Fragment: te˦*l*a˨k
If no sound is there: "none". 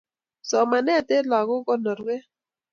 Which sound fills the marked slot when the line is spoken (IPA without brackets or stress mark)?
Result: l